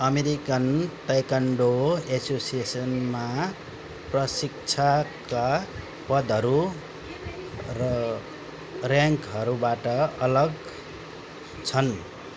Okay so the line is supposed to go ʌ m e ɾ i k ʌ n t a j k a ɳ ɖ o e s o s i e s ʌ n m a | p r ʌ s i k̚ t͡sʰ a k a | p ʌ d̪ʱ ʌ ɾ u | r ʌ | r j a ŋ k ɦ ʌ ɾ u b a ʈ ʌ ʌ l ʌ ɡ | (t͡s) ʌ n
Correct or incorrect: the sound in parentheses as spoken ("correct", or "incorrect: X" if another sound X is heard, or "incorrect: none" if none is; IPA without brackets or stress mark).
incorrect: t͡sʰ